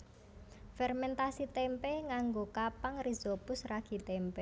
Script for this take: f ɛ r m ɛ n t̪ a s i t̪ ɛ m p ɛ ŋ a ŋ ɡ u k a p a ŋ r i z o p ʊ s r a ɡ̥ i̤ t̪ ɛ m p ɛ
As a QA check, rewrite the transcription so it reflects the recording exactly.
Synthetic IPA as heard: f ɛ r m ɛ n t̪ a s i t̪ ɛ m p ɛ ŋ a ŋ ɡ o k a p a ŋ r i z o p ʊ s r a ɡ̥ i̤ t̪ ɛ m p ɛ